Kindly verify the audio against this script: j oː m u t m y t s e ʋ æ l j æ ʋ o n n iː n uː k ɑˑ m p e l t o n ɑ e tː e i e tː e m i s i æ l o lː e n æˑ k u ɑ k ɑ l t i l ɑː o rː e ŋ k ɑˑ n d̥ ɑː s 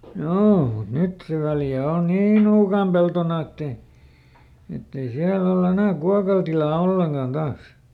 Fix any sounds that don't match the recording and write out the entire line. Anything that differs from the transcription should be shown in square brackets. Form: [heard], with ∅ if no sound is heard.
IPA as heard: j oː m u t [n] y t s e ʋ æ l j æ [∅] o n n iː n uː k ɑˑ m p e l t o n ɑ e tː e i e tː e [∅] i s i æ l o lː e n æˑ k u ɑ k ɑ l t i l ɑː o [lː] e ŋ k ɑˑ n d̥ ɑː s